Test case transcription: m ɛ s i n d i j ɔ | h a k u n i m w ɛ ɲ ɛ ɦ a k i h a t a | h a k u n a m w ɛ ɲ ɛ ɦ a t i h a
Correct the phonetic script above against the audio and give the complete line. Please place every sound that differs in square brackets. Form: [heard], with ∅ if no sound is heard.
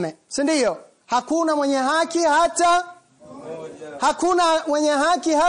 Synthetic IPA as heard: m ɛ s i n d i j ɔ | h a k u n [a] m w ɛ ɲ ɛ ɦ a k i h a t a | h a k u n a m w ɛ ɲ ɛ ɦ a [k] i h a